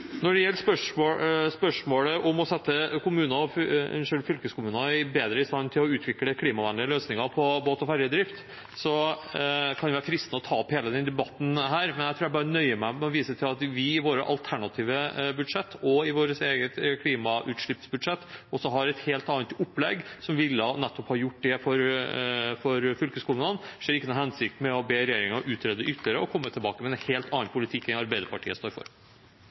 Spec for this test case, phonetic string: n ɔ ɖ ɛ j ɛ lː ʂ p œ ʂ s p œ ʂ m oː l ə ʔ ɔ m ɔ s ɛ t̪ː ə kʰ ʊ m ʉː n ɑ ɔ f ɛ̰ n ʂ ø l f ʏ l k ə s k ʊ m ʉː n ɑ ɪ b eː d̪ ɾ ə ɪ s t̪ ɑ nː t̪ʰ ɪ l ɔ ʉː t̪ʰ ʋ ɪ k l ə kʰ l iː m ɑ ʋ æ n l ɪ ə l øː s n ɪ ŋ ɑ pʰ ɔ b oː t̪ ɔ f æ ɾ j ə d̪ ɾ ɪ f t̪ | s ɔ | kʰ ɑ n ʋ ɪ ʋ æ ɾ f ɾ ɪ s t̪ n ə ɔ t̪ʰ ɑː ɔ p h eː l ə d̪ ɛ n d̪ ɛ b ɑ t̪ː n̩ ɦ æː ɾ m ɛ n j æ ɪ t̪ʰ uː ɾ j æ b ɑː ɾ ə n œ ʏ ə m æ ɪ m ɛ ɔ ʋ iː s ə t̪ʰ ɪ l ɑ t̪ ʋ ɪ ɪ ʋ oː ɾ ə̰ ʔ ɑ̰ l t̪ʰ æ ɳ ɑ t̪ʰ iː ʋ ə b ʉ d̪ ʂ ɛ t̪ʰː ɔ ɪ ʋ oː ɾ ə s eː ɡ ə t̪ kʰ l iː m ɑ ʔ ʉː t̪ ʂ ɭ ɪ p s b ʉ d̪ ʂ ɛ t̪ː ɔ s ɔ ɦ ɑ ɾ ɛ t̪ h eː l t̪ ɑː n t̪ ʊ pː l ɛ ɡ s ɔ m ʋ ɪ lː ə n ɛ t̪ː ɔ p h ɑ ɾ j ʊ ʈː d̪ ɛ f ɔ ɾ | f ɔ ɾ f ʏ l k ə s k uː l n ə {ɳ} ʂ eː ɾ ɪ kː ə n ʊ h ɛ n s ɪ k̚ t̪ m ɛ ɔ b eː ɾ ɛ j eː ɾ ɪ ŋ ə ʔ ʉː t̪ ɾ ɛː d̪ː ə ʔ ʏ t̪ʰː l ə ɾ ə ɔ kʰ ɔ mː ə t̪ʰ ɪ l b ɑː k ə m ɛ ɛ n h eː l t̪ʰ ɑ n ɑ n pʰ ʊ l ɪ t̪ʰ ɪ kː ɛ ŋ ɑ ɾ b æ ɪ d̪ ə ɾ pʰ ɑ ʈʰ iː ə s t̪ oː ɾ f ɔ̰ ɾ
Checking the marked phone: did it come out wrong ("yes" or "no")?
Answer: yes